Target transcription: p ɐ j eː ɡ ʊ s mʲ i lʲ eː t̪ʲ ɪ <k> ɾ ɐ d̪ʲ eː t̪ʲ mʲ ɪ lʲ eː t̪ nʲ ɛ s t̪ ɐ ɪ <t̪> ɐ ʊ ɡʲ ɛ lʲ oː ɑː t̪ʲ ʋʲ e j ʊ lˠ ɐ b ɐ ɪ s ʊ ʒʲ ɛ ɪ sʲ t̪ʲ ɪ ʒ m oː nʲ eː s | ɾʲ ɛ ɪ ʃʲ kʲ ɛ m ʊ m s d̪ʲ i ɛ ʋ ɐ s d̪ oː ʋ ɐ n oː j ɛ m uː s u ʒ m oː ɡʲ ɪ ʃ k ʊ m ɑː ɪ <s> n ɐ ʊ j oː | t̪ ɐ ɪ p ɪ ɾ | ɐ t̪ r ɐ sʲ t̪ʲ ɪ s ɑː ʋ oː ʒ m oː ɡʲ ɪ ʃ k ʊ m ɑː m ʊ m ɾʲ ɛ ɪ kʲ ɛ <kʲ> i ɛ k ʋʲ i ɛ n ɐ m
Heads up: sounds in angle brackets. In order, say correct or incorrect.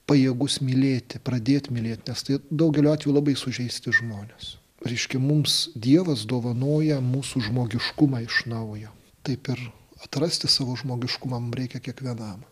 incorrect: p, incorrect: d̪, incorrect: ʃ, correct

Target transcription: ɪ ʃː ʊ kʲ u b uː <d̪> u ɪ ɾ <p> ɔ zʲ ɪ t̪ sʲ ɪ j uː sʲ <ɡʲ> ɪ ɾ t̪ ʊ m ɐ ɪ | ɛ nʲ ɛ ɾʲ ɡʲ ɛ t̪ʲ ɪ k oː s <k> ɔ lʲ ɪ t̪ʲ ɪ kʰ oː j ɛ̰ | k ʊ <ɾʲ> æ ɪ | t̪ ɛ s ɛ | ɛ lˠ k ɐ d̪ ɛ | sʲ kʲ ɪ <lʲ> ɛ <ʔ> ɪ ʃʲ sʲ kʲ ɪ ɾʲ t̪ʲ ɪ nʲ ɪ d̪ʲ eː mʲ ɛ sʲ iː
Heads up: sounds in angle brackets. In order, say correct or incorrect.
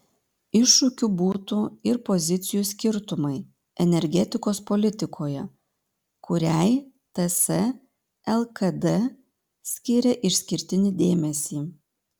incorrect: t̪, correct, incorrect: kʲ, incorrect: p, correct, incorrect: ɾʲ, correct

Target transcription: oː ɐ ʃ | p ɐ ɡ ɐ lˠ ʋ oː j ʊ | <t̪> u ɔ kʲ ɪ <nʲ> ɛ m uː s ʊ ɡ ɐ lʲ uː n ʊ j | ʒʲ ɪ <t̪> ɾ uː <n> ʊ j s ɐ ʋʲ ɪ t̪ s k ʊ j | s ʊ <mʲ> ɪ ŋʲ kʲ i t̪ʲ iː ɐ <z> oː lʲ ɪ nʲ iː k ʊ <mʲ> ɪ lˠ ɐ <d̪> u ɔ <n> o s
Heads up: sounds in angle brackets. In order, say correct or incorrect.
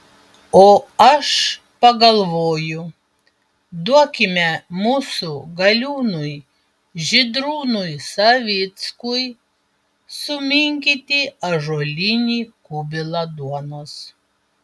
incorrect: d̪, incorrect: mʲ, incorrect: d̪, correct, correct, incorrect: ʒ, incorrect: bʲ, correct, correct

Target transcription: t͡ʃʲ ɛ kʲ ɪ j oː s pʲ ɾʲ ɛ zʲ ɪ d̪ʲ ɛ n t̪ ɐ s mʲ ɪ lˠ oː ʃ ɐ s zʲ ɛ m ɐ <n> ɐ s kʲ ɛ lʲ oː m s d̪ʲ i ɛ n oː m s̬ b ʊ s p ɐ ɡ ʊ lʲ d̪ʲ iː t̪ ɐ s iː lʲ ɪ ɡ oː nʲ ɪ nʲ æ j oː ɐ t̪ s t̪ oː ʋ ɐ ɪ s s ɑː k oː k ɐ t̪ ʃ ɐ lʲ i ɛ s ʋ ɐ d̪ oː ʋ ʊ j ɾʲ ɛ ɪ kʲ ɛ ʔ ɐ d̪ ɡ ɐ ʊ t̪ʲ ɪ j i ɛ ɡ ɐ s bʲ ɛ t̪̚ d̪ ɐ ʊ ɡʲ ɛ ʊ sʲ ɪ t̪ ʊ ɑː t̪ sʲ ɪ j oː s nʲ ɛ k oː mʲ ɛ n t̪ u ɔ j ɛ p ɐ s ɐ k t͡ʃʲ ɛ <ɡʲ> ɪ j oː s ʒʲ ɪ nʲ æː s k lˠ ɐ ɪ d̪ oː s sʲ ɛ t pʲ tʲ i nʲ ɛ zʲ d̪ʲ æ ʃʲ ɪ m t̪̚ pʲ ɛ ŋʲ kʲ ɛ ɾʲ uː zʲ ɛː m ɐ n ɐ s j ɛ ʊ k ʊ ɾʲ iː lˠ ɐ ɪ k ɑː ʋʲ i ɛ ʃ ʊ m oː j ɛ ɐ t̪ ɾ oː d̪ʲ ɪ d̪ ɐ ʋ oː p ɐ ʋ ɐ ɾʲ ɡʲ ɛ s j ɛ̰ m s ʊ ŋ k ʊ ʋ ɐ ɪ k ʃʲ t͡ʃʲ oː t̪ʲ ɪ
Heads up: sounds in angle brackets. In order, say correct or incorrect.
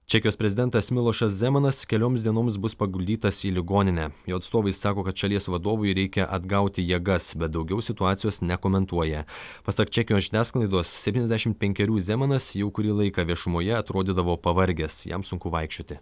correct, incorrect: kʲ

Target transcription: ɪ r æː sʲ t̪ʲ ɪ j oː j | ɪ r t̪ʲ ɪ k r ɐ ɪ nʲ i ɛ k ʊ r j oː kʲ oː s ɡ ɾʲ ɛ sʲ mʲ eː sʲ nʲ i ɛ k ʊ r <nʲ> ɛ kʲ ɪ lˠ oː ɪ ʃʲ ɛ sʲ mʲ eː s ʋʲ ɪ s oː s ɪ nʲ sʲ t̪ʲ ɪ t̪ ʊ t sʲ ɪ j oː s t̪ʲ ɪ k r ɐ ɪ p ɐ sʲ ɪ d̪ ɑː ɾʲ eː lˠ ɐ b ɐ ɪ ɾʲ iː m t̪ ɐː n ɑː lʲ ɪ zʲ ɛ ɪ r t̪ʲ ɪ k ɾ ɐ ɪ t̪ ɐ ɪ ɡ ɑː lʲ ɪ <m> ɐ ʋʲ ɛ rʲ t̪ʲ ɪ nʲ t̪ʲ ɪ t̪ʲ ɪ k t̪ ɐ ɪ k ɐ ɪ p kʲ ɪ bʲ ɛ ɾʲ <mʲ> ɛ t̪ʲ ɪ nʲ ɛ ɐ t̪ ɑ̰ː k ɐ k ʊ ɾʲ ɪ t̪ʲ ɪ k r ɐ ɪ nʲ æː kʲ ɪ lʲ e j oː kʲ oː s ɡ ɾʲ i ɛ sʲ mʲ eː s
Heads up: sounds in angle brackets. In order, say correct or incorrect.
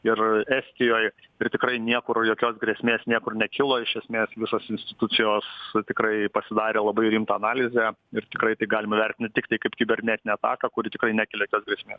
correct, correct, incorrect: nʲ

